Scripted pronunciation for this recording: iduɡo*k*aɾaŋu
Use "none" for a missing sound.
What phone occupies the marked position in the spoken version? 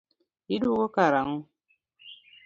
k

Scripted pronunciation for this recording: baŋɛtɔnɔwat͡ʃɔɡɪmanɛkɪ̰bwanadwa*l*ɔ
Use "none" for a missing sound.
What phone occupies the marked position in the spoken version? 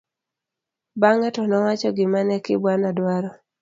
ɾ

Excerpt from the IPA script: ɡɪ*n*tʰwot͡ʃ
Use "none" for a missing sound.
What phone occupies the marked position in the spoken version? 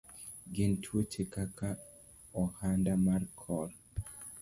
n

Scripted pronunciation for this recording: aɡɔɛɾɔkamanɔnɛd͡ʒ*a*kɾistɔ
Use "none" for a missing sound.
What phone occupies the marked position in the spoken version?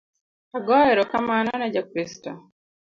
a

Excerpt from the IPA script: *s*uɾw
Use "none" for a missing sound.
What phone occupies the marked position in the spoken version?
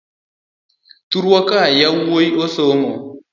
t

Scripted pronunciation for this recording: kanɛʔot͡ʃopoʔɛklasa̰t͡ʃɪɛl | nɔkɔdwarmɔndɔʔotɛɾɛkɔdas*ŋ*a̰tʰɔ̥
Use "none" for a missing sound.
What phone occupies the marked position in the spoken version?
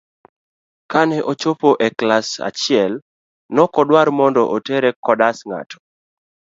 ŋ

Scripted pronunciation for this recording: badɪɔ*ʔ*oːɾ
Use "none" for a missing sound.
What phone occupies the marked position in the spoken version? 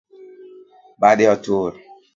t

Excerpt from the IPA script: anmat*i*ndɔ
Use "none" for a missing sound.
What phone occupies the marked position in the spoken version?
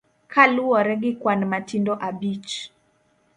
i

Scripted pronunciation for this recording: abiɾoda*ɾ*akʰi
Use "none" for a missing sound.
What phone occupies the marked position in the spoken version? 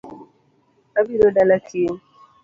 l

